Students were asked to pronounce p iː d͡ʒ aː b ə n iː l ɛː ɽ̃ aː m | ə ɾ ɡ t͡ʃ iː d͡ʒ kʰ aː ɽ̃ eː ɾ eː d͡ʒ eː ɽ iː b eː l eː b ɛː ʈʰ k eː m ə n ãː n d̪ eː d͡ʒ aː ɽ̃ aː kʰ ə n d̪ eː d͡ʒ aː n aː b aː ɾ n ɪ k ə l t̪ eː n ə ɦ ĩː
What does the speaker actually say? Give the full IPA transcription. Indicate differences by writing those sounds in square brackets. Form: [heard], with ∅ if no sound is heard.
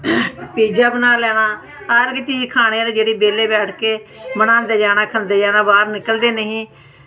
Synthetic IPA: p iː d͡ʒ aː b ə n [aː] l ɛː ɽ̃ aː [∅] | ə ɾ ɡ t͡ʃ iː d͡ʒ kʰ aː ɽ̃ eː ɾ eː d͡ʒ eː ɽ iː b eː l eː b ɛː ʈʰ k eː m ə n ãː n d̪ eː d͡ʒ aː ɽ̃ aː kʰ ə n d̪ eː d͡ʒ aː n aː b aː ɾ n ɪ k ə l [d̪] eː n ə ɦ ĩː